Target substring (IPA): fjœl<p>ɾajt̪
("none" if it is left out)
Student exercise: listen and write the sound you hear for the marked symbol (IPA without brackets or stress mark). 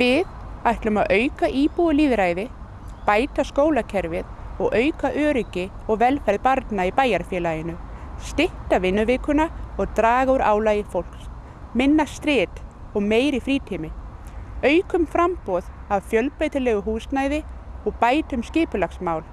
p